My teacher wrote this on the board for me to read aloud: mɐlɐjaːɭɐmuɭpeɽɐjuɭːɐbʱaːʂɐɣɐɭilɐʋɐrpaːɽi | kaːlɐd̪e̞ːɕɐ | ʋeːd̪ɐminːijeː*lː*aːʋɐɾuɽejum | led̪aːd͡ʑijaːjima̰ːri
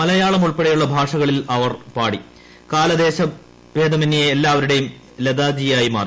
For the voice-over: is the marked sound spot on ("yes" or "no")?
yes